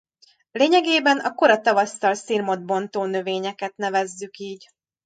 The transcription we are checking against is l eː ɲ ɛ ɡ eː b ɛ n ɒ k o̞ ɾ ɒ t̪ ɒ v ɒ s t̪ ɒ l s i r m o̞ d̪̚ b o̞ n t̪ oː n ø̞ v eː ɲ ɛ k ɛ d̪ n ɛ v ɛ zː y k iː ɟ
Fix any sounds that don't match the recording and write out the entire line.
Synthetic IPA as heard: l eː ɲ ɛ ɡ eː b ɛ n ɒ k o̞ ɾ ɒ t̪ ɒ v ɒ s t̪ ɒ l s i r m o̞ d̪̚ b o̞ n t̪ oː n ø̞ v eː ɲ ɛ k ɛ t̪ n ɛ v ɛ zː y k iː ɟ